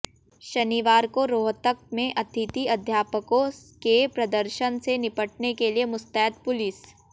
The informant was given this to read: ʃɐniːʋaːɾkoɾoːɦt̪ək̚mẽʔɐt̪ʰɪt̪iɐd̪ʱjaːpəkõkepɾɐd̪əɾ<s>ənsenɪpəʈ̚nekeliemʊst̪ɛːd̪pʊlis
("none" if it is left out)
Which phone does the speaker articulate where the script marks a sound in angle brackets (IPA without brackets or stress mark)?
ʃ